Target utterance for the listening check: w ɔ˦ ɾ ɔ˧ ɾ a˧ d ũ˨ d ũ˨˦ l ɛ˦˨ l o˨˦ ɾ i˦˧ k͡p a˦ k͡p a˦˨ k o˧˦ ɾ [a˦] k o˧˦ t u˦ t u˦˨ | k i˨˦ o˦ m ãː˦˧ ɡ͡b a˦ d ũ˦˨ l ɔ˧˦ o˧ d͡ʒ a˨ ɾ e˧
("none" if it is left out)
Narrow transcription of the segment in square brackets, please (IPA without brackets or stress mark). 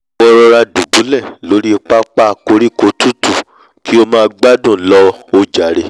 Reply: i˦